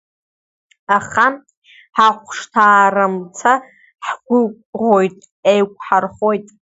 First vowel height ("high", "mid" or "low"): low